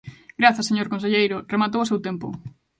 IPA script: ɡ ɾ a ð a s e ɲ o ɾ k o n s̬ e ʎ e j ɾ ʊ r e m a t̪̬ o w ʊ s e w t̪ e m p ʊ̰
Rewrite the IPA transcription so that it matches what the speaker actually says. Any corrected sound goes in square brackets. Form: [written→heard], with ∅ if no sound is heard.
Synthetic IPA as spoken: ɡ ɾ a [ð→θ] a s e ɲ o ɾ k o n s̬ e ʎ e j ɾ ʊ r e m a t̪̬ o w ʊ s e w t̪ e m p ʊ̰